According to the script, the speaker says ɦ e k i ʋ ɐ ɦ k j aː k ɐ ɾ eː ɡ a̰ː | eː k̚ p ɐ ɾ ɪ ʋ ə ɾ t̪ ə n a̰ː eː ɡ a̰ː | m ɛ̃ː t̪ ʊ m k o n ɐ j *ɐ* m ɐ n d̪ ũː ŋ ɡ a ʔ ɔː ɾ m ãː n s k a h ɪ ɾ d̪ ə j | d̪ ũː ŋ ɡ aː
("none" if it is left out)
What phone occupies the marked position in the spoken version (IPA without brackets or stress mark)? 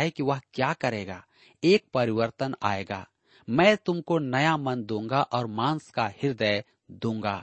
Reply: a